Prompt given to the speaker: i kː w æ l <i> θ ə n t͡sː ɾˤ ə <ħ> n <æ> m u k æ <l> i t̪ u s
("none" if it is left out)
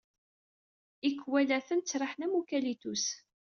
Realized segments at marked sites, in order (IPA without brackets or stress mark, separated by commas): æ, ħ, æ, l